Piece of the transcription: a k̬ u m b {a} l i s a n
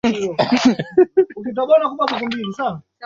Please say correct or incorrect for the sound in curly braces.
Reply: incorrect